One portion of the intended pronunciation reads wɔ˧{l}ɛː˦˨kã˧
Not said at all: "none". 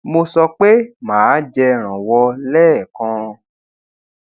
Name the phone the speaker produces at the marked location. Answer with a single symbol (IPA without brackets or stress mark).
l